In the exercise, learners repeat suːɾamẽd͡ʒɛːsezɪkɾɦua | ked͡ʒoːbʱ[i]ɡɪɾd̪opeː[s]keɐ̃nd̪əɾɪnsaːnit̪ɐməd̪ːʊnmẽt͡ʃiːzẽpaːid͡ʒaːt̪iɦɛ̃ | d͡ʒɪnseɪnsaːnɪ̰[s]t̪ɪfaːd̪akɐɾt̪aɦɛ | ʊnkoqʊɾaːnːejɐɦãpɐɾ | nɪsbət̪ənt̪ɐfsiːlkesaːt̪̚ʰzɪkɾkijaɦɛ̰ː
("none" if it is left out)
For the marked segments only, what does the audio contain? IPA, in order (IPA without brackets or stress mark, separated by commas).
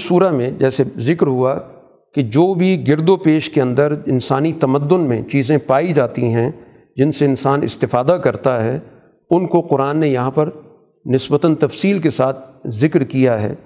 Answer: i, ʃ, s